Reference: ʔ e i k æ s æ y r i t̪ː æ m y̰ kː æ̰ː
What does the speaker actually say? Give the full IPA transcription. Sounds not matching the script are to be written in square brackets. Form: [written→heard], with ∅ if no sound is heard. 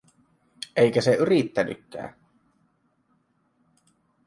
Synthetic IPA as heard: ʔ e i k æ s [æ→e] y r i t̪ː æ [m→n] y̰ kː æ̰ː